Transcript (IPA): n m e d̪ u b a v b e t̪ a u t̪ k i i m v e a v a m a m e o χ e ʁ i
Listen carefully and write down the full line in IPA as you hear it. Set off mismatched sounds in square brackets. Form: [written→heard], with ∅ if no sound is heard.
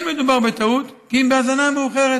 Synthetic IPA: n m e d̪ u b a [v→ʁ] b e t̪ a u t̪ k i i m [v→b] e a [v→z] a [m→n] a m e [o→u] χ e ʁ [i→e]

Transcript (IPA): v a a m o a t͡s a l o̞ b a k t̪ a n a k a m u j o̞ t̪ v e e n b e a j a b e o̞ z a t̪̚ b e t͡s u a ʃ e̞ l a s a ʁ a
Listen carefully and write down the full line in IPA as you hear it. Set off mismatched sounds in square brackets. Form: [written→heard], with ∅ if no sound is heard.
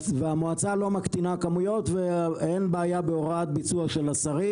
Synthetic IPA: v [a→e] a m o a t͡s a l o̞ [b→m] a k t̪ [a→i] n a k a m u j o̞ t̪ v e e n b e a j a b e o̞ [z→ʁ] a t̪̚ b [e→i] t͡s u a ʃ e̞ l a s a ʁ [a→i]

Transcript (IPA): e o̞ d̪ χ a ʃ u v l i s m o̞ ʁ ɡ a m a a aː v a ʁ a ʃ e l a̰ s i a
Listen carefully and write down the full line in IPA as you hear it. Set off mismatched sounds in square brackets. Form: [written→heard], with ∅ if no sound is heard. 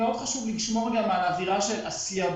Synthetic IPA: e o̞ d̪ χ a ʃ u v l i [s→ʃ] m o̞ ʁ ɡ a m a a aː v [a→i] ʁ a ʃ e l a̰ s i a

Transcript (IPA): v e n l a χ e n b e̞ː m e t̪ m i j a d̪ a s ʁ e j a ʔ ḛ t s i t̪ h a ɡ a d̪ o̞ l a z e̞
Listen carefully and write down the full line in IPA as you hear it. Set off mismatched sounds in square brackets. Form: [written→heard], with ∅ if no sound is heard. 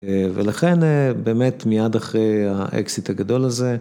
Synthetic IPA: v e [n→∅] l a χ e n b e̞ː m e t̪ m i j a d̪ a [s→χ] ʁ e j a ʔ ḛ [t→k] s i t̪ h a ɡ a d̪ o̞ l a z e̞

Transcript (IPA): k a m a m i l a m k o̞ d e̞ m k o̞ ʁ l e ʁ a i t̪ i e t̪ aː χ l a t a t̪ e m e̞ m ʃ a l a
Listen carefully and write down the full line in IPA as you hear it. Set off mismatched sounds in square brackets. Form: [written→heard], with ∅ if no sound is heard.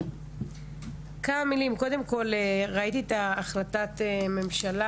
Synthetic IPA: k a m a m i l [a→i] m k o̞ d e̞ m k o̞ [ʁ→∅] l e ʁ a i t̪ i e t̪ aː χ l a t a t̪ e m e̞ m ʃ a l a

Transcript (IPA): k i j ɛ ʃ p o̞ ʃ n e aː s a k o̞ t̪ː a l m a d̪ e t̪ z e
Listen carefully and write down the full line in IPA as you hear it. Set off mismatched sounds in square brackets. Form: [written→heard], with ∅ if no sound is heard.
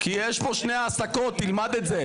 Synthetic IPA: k i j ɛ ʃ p o̞ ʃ n e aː s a k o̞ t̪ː [a→i] l m a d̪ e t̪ z e

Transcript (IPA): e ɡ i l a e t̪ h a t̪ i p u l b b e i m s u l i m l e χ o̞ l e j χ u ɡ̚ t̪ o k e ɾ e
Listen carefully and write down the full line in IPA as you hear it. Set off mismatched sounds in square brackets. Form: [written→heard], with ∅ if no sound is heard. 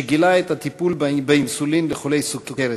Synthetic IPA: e ɡ i l a e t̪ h a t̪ i p u l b b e i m s u l i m l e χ o̞ l e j [χ→s] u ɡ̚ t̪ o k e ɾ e

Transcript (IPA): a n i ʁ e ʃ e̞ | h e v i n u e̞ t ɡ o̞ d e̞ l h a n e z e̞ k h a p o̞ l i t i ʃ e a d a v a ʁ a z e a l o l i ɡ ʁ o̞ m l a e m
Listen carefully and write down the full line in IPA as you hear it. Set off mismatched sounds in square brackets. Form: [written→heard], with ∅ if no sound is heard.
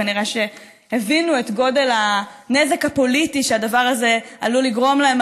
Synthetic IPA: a n i ʁ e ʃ e̞ | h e v i n u e̞ t ɡ o̞ d e̞ l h a n e z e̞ k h a p o̞ l i t i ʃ e a d a v a ʁ a z e a l [o→u] l i ɡ ʁ o̞ m l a e m

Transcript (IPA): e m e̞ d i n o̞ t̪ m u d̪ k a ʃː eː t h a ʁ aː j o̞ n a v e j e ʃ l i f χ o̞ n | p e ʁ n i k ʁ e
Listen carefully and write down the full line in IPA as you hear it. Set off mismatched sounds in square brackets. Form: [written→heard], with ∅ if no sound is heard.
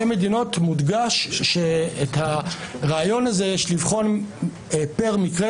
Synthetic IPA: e m e̞ d i n o̞ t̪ m u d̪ [k→ɡ] a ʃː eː t h a ʁ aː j o̞ n a [v→z] e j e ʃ l i [f→v] χ o̞ n | p e ʁ [n→m] i k ʁ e

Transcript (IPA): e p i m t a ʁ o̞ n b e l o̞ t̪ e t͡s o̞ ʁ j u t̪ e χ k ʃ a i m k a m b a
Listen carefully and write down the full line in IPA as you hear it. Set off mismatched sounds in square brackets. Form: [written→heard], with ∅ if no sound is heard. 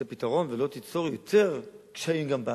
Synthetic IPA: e p i [m→∅] t a ʁ o̞ n [b→v] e l o̞ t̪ [e→i] t͡s o̞ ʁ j [u→o] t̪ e [χ→ʁ] k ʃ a i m [k→ɡ] a m b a

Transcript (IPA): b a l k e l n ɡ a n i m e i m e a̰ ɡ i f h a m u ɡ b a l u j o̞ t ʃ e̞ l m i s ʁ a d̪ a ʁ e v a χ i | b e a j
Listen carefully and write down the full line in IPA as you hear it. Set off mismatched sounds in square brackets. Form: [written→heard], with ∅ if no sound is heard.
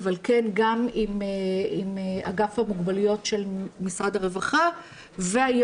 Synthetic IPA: [b→v] a l k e [l→∅] n ɡ a [n→m] i m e i m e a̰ ɡ [i→a] f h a m u ɡ b a l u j o̞ t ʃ e̞ l m i s ʁ a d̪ a ʁ e v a χ [i→a] | [b→v] e a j

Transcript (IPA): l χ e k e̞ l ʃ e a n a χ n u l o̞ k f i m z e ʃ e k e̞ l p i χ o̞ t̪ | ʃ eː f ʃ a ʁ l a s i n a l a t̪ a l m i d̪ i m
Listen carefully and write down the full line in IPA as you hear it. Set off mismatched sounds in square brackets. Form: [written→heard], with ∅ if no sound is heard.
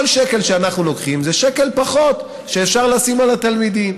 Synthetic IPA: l [χ→ʃ] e k e̞ l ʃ e a n a χ n u l o̞ k [f→χ] i m z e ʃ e k e̞ l p [i→a] χ o̞ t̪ | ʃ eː f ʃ a ʁ l a s i [n→m] a l a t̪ a l m i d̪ i m

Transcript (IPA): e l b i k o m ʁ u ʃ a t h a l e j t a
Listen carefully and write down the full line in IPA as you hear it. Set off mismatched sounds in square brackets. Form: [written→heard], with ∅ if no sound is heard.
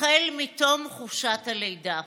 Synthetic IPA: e l [b→m] i [k→t] o m [ʁ→χ] u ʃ a t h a l e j [t→d] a

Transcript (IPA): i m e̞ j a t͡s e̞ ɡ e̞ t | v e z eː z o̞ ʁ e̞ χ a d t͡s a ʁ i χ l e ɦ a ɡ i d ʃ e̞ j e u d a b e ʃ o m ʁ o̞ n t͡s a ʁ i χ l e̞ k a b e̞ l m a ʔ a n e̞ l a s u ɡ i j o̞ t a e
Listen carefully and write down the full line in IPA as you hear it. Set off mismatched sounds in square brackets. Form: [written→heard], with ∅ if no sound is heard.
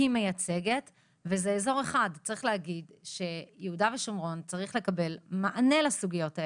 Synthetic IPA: i m e̞ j a t͡s e̞ ɡ e̞ t | v e z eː z o̞ ʁ e̞ χ a d t͡s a ʁ i χ l e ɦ a ɡ i d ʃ e̞ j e u d a [b→v] e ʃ o m ʁ o̞ n t͡s a ʁ i χ l e̞ k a b e̞ l m a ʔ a n e̞ l a s u ɡ i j o̞ t a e

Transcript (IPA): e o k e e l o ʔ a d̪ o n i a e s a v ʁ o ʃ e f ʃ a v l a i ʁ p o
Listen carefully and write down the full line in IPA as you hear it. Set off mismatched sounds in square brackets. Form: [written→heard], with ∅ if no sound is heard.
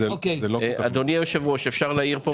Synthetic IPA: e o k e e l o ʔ a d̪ o n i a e [s→ʃ] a v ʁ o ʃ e f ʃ a [v→ʁ] l a i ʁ p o

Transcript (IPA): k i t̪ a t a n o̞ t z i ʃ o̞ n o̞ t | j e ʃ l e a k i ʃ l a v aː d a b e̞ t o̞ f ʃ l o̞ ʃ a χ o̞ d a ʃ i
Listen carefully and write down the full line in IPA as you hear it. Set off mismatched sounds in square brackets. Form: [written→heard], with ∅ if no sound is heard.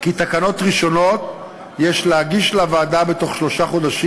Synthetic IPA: k i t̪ a [t→k] a n o̞ t [z→ʁ] i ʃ o̞ n o̞ t | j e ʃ l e a [k→ɡ] i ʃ l a v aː d a b e̞ t o̞ [f→χ] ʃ l o̞ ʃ a χ o̞ d a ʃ i

